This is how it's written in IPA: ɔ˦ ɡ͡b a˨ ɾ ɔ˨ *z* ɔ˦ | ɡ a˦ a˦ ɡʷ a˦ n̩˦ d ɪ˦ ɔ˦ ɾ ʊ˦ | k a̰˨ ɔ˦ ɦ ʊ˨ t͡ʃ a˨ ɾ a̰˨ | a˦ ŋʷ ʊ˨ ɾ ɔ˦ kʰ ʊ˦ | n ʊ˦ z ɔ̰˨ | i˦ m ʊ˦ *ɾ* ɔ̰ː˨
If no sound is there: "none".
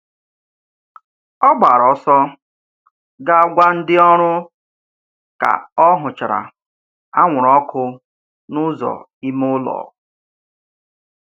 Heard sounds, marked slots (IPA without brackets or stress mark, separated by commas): s, l